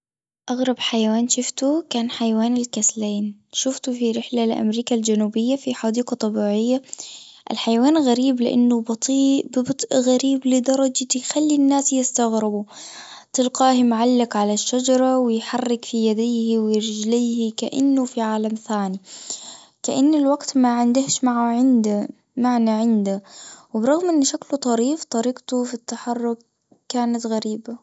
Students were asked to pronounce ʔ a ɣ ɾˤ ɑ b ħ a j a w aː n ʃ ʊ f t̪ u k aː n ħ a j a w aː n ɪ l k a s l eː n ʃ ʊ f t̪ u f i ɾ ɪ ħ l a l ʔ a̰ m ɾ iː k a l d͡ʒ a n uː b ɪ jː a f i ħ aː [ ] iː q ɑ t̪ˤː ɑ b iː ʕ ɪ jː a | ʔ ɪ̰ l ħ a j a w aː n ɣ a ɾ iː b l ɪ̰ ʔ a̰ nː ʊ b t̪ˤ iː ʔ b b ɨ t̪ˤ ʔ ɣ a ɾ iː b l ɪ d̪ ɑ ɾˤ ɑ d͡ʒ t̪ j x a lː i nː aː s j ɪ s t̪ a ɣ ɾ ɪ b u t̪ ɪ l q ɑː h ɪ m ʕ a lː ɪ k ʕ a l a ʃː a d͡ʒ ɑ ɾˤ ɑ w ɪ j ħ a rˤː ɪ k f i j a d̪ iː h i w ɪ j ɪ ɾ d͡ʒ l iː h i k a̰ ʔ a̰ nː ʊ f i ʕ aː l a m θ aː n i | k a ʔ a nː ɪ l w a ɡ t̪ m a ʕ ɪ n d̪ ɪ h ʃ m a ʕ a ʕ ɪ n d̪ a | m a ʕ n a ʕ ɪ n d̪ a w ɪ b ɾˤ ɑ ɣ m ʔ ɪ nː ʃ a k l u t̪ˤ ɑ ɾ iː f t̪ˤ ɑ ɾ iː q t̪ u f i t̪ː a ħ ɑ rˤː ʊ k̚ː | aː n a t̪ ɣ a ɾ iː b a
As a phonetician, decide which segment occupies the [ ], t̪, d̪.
d̪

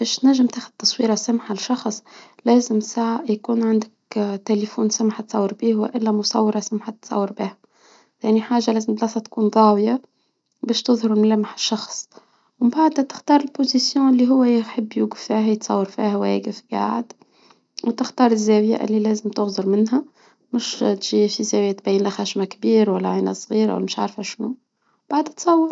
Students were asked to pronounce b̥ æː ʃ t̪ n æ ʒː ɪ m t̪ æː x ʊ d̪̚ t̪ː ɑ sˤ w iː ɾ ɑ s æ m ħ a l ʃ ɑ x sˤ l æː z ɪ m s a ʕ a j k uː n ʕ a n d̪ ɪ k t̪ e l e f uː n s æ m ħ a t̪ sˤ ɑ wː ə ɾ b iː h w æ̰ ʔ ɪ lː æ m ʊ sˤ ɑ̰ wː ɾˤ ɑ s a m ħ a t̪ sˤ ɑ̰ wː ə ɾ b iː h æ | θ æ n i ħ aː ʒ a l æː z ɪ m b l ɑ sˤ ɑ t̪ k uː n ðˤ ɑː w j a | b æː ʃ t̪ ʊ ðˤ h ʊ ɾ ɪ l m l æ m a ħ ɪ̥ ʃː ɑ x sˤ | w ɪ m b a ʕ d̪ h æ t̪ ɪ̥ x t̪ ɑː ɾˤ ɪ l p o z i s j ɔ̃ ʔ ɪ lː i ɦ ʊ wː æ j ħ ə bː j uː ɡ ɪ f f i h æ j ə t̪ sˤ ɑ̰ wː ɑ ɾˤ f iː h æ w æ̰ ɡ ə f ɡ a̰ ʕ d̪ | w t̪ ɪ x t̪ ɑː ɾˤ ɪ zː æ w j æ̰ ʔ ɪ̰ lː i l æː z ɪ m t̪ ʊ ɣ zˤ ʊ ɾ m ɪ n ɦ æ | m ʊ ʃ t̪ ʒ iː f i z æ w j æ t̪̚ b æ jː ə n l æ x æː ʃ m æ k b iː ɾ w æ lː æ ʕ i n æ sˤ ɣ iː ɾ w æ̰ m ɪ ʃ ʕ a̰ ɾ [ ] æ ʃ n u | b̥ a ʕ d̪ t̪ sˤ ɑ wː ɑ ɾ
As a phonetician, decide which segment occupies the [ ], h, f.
f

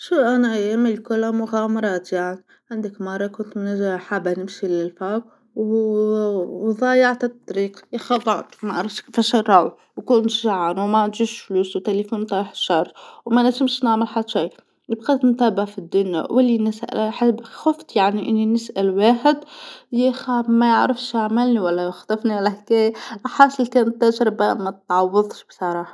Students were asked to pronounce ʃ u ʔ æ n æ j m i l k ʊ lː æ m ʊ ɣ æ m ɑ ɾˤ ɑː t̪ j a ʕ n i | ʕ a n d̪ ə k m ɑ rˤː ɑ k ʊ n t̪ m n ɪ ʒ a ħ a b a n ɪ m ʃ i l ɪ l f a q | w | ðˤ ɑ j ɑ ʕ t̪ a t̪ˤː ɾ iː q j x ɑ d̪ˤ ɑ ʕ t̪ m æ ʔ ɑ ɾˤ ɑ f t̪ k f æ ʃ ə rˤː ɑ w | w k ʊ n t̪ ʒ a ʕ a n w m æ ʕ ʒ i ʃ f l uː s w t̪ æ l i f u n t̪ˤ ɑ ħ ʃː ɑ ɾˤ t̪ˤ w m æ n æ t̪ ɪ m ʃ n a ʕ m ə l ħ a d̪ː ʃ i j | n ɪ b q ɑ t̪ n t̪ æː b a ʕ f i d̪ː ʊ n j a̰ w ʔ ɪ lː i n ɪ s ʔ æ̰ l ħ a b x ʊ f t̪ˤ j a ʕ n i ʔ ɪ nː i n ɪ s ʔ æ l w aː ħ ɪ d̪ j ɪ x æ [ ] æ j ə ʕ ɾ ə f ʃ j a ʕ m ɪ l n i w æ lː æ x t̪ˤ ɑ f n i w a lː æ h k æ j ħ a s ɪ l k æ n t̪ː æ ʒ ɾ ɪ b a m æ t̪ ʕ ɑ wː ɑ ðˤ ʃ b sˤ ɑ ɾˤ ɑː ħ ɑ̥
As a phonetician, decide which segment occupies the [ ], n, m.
m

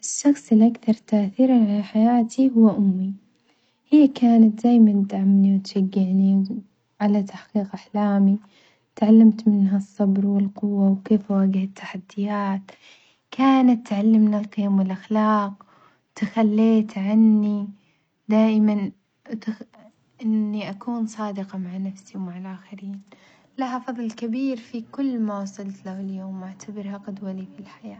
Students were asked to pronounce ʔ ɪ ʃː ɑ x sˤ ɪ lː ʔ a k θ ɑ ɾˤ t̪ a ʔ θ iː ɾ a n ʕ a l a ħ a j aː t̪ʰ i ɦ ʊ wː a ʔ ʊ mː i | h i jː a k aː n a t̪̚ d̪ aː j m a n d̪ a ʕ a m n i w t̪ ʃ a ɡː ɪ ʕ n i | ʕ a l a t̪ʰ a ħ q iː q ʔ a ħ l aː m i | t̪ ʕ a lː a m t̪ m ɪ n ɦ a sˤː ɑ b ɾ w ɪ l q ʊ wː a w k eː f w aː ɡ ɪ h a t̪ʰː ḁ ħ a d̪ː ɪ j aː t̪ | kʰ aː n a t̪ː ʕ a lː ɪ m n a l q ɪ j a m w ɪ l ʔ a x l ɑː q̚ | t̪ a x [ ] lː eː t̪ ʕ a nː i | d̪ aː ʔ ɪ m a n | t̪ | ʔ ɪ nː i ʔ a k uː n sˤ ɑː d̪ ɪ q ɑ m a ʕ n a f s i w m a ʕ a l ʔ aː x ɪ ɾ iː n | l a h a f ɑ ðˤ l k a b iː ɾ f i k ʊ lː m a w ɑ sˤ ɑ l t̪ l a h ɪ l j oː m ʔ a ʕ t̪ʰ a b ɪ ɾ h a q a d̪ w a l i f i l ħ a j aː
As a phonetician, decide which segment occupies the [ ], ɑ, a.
a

